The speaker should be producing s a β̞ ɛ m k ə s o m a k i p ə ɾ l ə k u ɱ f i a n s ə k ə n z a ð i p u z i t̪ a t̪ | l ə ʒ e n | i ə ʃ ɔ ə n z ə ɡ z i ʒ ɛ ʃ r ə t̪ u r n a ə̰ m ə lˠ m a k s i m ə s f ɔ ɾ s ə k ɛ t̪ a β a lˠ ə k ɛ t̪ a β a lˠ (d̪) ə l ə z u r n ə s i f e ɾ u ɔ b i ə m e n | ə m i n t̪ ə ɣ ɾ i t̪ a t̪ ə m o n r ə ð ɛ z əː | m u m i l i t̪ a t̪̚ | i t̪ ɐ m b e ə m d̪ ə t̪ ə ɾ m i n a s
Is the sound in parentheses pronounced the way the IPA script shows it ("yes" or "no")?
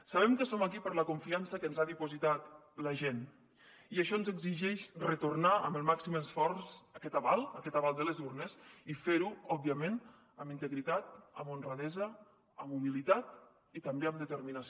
yes